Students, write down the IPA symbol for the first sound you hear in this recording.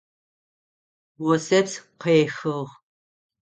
w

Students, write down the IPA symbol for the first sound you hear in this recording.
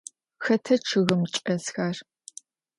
x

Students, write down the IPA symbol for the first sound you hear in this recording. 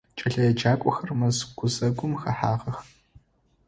t͡ʃʼ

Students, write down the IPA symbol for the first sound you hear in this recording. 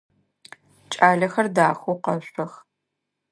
t͡ʃʼ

